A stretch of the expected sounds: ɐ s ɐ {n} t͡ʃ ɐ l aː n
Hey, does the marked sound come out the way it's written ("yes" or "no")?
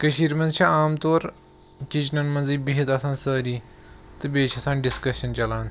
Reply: yes